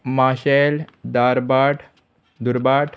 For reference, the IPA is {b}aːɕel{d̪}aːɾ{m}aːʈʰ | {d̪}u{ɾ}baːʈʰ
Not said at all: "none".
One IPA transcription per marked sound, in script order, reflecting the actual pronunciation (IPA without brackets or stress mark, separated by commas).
m, d̪, b, d̪, ɾ